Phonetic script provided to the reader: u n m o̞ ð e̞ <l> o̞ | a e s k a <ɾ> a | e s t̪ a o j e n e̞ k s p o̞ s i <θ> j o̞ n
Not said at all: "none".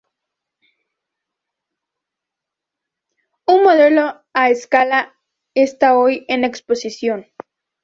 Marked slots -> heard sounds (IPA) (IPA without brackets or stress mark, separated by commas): l, l, s